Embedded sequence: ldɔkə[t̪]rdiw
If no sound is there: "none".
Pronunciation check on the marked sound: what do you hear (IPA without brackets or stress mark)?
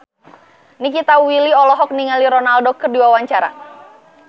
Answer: none